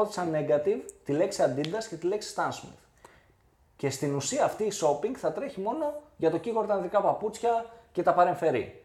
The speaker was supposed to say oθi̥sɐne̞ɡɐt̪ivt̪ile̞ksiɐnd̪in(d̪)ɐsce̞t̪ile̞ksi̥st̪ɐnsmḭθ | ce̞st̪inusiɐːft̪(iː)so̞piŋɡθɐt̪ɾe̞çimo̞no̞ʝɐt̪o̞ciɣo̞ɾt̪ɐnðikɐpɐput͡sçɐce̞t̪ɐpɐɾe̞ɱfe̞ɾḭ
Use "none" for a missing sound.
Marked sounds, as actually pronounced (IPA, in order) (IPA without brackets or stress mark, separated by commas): d̪, iː